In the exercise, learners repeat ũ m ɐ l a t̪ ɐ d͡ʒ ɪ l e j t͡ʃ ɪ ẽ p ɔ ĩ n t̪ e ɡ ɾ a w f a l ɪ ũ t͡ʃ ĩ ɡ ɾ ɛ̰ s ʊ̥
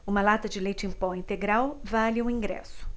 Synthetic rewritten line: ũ m ɐ l a t̪ ɐ d͡ʒ ɪ l e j t͡ʃ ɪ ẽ p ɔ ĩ n t̪ e ɡ ɾ a w v a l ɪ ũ ĩ ɡ ɾ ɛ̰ s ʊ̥